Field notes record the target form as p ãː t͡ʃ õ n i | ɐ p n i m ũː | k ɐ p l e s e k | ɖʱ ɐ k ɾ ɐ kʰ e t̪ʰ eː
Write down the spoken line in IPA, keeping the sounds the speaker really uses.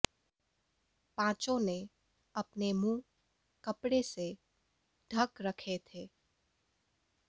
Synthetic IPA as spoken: p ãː t͡ʃ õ n e | ɐ p n e m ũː | k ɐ p ɽ e s e | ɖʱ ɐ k ɾ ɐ kʰ e t̪ʰ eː